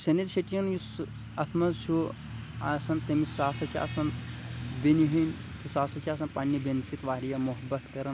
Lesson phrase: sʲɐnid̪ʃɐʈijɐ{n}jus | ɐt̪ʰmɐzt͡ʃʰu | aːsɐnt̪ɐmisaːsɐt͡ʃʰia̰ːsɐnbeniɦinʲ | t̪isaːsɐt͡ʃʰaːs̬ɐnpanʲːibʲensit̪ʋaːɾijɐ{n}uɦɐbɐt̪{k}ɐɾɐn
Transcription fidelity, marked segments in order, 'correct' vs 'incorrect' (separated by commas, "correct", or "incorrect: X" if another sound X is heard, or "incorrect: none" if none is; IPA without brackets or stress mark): correct, incorrect: m, correct